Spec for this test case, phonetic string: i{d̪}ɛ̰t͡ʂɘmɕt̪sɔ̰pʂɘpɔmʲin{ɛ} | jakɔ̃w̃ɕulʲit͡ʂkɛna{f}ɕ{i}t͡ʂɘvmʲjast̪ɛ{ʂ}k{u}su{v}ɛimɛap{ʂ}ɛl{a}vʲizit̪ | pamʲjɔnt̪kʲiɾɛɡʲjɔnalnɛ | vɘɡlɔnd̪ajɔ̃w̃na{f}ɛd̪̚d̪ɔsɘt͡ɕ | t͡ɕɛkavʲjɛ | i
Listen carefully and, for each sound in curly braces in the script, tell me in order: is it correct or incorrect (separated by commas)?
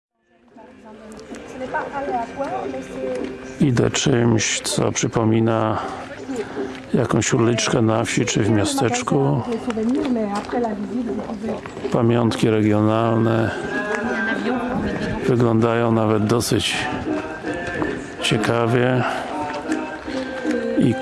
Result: correct, incorrect, correct, correct, incorrect, correct, correct, incorrect, correct, incorrect